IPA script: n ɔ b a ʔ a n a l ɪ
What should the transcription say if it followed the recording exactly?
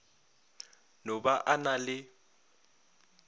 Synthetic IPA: n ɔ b a ʔ a n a l ɪ